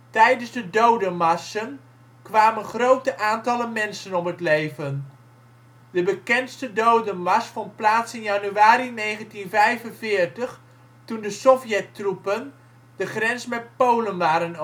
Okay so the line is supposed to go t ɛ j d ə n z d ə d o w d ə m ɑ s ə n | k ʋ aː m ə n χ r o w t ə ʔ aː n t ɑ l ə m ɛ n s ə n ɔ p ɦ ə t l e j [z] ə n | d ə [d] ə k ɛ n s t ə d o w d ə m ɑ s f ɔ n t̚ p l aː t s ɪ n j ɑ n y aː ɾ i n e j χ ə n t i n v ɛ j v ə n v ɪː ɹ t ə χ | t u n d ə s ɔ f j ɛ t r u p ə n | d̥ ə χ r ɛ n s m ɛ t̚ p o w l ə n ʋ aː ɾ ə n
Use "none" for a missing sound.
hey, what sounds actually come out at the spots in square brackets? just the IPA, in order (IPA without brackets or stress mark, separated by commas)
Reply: v, b